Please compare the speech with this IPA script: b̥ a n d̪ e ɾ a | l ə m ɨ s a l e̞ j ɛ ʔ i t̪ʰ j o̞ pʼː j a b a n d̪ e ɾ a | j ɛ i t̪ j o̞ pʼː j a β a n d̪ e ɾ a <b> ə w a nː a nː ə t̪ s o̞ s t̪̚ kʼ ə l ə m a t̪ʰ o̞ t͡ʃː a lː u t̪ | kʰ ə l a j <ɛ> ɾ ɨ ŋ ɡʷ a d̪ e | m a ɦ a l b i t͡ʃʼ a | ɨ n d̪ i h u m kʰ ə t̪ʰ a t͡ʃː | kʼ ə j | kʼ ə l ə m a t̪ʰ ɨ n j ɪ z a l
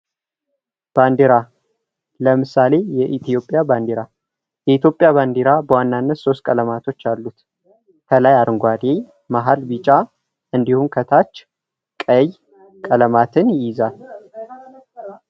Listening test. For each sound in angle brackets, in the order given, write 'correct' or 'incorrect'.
correct, incorrect: a

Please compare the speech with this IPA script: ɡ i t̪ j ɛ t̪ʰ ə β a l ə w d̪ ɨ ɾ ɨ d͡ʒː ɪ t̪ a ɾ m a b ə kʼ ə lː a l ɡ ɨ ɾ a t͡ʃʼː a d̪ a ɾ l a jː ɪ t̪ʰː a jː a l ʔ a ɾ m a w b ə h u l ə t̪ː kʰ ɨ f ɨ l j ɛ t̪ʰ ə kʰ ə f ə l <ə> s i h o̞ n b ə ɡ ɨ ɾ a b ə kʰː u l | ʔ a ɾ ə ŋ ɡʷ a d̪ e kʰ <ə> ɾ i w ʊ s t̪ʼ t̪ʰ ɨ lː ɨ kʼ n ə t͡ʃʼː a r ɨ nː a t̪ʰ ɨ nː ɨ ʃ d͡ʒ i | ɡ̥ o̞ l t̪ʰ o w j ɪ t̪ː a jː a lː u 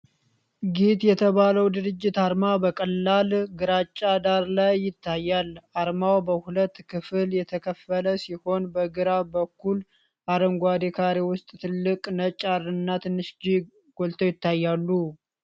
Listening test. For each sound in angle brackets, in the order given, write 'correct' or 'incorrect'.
correct, incorrect: a

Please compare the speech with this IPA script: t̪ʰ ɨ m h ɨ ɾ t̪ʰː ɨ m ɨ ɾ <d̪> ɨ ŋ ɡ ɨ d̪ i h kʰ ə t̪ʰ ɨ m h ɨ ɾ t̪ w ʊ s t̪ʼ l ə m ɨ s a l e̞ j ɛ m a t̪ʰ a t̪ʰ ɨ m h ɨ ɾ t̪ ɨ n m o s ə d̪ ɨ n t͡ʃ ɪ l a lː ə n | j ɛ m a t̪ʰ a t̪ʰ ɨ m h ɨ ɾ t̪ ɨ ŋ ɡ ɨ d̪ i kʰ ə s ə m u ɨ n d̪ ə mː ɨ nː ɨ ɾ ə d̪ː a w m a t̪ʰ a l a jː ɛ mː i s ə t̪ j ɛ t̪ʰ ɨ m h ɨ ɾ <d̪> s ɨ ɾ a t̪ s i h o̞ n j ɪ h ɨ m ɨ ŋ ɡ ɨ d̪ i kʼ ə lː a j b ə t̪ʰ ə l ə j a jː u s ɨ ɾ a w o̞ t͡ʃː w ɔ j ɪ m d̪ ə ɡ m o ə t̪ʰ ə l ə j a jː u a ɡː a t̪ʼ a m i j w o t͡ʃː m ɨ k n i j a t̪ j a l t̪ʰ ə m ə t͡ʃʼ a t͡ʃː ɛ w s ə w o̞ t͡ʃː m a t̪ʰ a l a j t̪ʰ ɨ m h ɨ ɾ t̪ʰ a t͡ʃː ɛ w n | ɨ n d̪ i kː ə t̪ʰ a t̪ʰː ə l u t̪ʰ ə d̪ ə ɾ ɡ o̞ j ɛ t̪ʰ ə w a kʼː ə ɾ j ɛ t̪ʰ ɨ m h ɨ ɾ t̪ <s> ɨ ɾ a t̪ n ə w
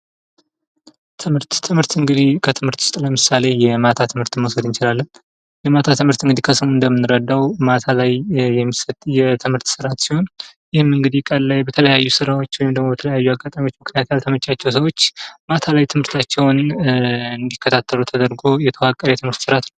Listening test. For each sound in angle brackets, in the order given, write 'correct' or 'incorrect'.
incorrect: t̪, incorrect: t̪, correct

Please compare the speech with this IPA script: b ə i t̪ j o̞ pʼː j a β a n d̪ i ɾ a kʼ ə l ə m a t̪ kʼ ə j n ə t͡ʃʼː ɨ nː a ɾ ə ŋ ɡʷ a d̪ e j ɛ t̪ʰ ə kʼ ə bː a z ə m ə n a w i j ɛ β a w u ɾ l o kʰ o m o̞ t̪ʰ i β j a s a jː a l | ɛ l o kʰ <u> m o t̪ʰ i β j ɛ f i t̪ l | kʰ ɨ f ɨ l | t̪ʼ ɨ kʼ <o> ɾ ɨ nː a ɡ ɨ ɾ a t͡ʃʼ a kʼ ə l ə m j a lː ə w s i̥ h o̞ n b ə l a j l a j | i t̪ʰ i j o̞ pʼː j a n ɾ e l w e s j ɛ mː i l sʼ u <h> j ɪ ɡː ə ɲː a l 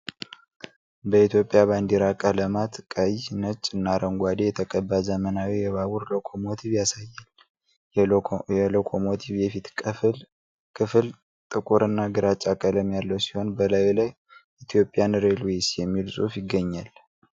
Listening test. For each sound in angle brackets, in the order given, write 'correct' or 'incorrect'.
incorrect: o, incorrect: u, incorrect: f

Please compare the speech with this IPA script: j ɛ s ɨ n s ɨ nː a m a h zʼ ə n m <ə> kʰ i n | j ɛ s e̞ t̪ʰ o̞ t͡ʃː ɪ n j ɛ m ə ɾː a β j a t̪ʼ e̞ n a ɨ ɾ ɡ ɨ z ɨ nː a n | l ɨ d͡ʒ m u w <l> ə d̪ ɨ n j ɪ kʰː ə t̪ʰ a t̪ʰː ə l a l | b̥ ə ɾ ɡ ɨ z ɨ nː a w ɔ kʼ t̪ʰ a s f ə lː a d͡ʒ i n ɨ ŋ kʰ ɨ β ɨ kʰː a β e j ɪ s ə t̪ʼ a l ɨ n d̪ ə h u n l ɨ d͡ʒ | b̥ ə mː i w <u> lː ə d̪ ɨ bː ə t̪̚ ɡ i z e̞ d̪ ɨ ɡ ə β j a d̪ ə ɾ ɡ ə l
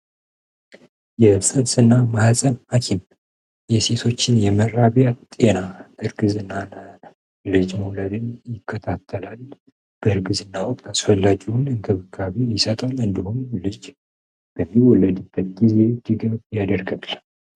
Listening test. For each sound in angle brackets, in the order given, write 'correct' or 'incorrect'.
incorrect: a, correct, incorrect: ɔ

